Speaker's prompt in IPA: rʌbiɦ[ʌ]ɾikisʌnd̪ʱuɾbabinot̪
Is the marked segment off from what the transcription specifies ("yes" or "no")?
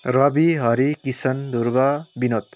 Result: no